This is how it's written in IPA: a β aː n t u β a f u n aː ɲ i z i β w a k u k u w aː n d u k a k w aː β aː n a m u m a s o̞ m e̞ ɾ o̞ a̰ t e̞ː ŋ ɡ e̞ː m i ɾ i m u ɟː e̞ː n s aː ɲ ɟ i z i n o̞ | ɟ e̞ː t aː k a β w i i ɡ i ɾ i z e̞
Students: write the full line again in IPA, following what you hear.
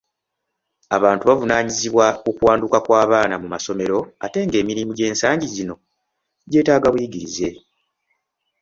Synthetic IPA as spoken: a β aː n t u β a v u n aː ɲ i z i β w a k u k u w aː n d u k a k w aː β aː n a m u m a s o̞ m e̞ ɾ o̞ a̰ t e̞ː ŋ ɡ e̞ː m i ɾ i m u ɟ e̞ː n s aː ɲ ɟ i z i n o̞ | ɟ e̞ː t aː ɡ a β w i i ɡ i ɾ i z e̞